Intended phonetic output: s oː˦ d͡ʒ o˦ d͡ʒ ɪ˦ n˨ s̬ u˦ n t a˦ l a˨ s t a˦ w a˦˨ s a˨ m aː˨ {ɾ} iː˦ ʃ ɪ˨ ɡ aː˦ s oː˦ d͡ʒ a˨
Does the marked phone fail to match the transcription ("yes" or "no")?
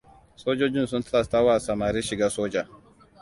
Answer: no